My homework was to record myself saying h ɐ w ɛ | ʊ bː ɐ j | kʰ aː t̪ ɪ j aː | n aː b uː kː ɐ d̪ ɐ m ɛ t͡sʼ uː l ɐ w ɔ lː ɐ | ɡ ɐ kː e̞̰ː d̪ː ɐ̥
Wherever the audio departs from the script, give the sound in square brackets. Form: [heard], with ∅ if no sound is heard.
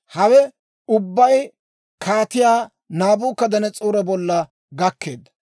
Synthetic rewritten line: h ɐ w ɛ | ʊ bː ɐ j | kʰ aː t̪ ɪ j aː | n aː b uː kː ɐ d̪ ɐ [n] ɛ t͡sʼ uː [ɾ] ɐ [b] ɔ lː ɐ | ɡ ɐ kː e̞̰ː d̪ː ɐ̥